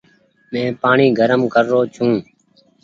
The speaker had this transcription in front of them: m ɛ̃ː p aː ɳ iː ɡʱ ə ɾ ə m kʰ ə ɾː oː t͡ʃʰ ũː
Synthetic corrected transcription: m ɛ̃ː p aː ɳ iː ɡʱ ə ɾ ə m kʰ ə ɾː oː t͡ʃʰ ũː